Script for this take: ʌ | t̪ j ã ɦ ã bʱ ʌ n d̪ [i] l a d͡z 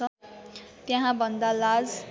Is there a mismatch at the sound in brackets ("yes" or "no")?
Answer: yes